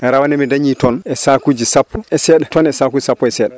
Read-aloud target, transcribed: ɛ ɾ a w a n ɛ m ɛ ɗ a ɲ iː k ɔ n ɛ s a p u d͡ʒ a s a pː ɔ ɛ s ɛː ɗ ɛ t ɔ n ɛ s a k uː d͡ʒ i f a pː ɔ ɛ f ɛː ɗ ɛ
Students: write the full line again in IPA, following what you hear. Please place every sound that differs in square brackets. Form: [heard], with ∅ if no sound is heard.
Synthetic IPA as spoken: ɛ ɾ a w a n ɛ m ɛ [d] a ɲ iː [t] ɔ n ɛ s a [k] u d͡ʒ [i] s a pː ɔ ɛ s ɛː ɗ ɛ t ɔ n ɛ s a k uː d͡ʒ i [s] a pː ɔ ɛ [s] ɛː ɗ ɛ

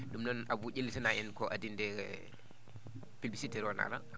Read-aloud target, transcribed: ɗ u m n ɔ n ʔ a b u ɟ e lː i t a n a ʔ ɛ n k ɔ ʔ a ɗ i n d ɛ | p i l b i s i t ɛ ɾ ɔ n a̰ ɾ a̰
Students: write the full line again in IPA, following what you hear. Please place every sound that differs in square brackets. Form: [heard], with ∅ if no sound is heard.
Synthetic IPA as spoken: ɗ u m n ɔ n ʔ a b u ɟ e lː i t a n a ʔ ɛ n k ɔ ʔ a [d] i n d ɛ | p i l b i s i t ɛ ɾ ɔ n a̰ [l] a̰

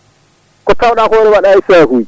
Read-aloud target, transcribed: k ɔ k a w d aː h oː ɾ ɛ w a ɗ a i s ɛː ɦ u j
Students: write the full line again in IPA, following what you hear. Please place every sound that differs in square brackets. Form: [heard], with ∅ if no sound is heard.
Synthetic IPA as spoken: k ɔ [t] a w [ɗ] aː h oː ɾ ɛ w a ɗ a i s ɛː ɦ u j

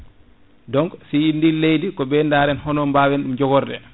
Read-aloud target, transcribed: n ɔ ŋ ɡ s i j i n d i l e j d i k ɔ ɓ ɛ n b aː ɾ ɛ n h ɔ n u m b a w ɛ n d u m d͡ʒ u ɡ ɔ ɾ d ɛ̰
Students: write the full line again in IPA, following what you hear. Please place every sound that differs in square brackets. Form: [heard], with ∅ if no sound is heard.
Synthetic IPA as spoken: [d] ɔ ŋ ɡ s i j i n d i l e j d i k ɔ [b] ɛ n [d] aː ɾ ɛ n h ɔ n [ɔ] m b a w ɛ n [ɗ] u m d͡ʒ [ɔ] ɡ ɔ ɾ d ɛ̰

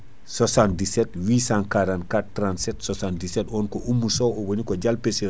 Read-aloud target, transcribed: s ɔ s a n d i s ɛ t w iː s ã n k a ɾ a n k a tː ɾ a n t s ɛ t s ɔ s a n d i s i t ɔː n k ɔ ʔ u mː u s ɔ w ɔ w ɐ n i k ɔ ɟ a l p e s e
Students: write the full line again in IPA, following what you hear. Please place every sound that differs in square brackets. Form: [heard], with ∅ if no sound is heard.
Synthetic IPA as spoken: s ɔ s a n d i s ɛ t w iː s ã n k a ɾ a n k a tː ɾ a n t s ɛ t s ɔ s a n d i s [ɛ] t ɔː n k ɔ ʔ u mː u s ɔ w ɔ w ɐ n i k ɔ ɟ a l p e s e

